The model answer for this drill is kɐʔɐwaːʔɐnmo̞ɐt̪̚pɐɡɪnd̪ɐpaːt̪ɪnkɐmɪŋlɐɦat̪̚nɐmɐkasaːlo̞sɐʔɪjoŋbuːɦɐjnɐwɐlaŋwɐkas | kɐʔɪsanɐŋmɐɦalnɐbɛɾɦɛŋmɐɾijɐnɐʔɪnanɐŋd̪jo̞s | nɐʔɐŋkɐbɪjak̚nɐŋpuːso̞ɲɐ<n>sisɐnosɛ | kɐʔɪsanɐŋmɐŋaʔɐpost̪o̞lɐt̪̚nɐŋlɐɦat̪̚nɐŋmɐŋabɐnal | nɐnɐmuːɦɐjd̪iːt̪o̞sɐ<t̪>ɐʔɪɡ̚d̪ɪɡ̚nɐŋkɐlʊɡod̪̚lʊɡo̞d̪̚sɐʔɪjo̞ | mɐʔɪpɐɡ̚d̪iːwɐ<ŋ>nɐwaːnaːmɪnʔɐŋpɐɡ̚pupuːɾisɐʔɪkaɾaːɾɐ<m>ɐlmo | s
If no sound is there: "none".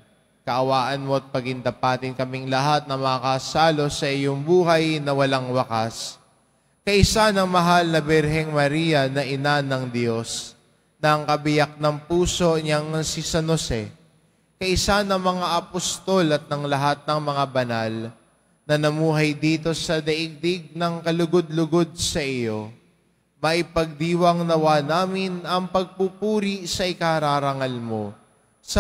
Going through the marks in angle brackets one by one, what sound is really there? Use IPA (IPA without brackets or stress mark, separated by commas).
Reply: ŋ, d̪, ŋ, ŋ